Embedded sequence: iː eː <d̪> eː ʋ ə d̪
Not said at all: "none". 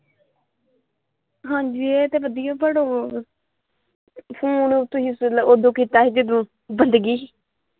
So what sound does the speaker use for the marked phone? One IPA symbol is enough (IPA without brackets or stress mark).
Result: t̪